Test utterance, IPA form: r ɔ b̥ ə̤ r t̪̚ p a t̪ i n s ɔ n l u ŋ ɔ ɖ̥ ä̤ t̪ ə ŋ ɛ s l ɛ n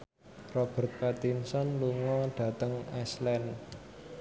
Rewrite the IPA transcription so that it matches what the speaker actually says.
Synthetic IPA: r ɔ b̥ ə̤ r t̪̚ p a t̪ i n s ɔ n l u ŋ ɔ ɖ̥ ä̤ t̪ ə ŋ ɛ s l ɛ n

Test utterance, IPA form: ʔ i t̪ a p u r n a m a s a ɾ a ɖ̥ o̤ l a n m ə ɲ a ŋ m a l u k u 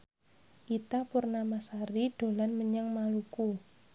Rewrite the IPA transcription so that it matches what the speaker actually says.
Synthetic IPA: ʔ i t̪ a p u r n a m a s a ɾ i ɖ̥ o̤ l a n m ə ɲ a ŋ m a l u k u

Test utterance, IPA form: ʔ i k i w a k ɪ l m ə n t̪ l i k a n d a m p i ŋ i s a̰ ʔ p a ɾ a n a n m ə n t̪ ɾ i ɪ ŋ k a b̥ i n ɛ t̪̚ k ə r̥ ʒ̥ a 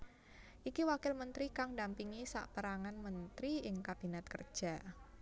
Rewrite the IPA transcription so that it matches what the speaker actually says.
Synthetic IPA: ʔ i k i w a k ɪ l m ə n t̪ ɾ i k a ŋ d a m p i ŋ i s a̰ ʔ p ə ɾ a ŋ a n m ə n t̪ ɾ i ɪ ŋ k a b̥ i n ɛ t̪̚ k ə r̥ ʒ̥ a

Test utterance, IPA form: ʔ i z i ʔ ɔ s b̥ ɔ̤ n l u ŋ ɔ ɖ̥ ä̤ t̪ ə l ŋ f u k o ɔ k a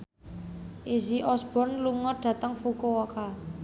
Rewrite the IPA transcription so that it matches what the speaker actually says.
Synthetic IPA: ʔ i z i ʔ ɔ s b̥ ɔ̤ n l u ŋ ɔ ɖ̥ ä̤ t̪ ə ŋ f u k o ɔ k a

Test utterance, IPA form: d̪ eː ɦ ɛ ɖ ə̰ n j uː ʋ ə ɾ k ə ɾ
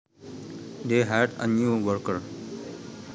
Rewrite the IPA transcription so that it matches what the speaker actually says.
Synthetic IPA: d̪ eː ɦ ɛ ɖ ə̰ n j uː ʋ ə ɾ k ə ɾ

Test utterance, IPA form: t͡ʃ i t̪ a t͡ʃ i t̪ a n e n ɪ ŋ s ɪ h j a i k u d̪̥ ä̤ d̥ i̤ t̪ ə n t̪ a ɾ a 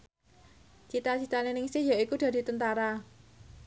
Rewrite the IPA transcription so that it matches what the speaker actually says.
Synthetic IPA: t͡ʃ i t̪ a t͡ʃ i t̪ a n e n ɪ ŋ s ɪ h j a i k u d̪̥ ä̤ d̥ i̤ t̪ ə n t̪ a ɾ a

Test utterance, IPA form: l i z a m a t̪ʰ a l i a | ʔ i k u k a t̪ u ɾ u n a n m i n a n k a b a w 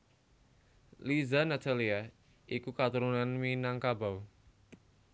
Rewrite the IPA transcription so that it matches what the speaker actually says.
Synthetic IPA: l i z a n a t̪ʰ a l i a | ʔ i k u k a t̪ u ɾ u n a n m i n a ŋ k a b a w

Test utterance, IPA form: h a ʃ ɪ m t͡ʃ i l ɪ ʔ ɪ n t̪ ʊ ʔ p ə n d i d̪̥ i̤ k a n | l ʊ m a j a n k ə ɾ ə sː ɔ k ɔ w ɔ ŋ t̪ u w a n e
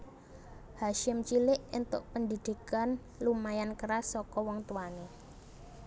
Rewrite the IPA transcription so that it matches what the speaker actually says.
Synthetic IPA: h a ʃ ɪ m t͡ʃ i l ɪ ʔ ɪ n t̪ ʊ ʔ p ə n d i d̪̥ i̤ k a n | l u m a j a n k ə ɾ a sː ɔ k ɔ w ɔ ŋ t̪ u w a n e

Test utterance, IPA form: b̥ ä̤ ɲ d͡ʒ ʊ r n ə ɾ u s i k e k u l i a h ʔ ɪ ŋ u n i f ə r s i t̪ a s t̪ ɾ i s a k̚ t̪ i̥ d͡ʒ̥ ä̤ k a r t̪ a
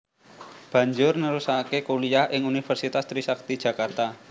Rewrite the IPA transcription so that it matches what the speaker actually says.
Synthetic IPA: b̥ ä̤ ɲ d͡ʒ ʊ r n ə ɾ u s a k e k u l i a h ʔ ɪ ŋ u n i f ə r s i t̪ a s t̪ ɾ i s a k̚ t̪ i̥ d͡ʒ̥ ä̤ k a r t̪ a

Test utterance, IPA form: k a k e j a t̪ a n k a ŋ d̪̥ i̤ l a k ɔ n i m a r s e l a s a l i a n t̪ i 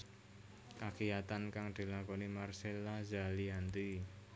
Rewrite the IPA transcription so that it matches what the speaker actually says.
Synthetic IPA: k a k i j a t̪ a n k a ŋ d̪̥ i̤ l a k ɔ n i m a r s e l a z a l i a n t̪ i

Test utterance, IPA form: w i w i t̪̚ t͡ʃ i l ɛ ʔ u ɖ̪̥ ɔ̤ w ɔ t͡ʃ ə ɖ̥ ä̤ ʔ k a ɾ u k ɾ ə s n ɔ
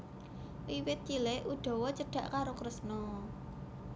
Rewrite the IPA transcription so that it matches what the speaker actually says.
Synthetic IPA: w i w ɪ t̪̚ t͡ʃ i l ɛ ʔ u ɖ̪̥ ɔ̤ w ɔ t͡ʃ ə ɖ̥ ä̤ ʔ k a ɾ o k ɾ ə s n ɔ

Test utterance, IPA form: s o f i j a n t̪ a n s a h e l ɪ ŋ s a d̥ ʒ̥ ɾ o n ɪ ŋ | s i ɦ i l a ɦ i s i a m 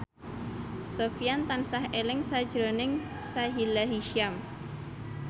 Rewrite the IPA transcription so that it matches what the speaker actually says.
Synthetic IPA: s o f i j a n t̪ a n s a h e l ɪ ŋ s a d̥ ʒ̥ ɾ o n ɪ ŋ | s a ɦ i l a ɦ i ʃ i a m

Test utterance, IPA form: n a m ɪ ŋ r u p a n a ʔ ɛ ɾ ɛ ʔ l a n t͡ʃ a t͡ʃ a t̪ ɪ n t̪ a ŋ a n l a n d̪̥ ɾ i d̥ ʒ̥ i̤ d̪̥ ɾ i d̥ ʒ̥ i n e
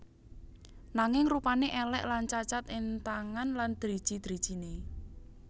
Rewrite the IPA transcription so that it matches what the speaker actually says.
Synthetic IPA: n a ŋ ɪ ŋ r u p a n e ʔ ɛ l ɛ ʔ l a n t͡ʃ a t͡ʃ a t̪ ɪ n t̪ a ŋ a n l a n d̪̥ ɾ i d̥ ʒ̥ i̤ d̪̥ ɾ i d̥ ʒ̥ i n e

